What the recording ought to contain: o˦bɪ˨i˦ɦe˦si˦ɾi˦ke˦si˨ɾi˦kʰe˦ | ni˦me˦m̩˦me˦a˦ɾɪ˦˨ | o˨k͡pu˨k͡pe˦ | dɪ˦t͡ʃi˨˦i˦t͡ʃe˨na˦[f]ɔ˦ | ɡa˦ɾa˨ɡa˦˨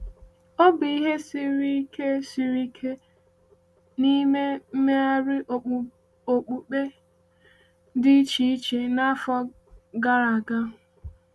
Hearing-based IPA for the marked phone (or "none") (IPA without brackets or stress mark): f